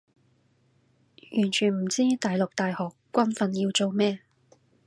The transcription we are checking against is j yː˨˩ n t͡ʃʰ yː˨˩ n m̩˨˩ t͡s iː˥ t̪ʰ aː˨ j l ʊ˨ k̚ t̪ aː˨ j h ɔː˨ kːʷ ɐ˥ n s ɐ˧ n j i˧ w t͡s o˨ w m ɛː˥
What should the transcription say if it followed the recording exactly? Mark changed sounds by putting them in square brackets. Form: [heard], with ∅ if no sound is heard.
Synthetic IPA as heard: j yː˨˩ n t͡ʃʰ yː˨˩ n m̩˨˩ t͡s iː˥ [t̪] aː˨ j l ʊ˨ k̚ t̪ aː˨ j h ɔː˨ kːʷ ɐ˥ n [f] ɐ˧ n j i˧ w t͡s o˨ w m ɛː˥